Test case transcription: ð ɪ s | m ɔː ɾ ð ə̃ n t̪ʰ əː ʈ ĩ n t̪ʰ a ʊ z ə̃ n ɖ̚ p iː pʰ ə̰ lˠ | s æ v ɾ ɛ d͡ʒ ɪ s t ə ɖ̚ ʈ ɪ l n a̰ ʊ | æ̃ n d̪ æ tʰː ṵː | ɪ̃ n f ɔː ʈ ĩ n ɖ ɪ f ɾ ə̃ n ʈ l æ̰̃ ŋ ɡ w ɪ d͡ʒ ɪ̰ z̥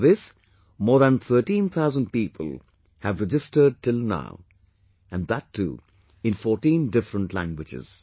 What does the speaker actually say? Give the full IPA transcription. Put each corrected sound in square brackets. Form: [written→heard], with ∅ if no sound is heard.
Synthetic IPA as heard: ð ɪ s | m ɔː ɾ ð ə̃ n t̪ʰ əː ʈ ĩ n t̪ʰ a ʊ z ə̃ n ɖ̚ p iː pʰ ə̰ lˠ | [s→h] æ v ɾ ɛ d͡ʒ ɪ s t ə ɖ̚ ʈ ɪ l n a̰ ʊ | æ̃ n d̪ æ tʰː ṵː | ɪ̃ n f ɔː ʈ ĩ n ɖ ɪ f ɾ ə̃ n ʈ l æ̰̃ ŋ ɡ w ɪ d͡ʒ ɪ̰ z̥